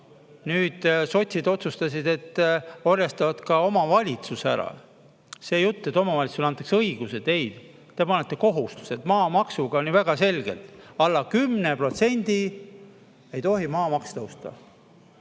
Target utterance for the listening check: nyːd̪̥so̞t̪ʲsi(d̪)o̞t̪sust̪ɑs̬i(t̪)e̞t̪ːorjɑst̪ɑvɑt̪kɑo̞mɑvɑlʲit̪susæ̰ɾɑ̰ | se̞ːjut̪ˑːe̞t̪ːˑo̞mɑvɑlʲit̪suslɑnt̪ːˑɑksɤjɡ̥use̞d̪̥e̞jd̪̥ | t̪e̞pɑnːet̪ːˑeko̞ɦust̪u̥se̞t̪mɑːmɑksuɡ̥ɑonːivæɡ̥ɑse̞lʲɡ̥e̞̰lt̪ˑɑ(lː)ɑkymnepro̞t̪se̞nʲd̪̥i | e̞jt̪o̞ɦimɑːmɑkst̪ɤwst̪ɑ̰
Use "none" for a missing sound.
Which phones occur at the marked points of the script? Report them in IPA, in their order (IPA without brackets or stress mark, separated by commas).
d̪, d̪, lː